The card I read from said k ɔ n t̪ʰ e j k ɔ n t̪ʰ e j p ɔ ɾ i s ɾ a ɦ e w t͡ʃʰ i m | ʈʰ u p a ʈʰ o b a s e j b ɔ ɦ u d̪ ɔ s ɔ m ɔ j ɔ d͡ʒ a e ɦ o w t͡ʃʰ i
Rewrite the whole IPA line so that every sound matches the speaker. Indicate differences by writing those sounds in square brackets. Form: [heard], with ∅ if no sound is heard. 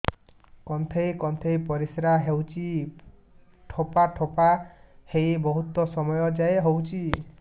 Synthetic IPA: k ɔ n t̪ʰ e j k ɔ n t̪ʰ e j p ɔ ɾ i s ɾ a ɦ e w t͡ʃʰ i [∅] | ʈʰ [o] p a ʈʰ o [p] a [h] e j b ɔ ɦ u [t̪] ɔ s ɔ m ɔ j ɔ d͡ʒ a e ɦ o w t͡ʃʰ i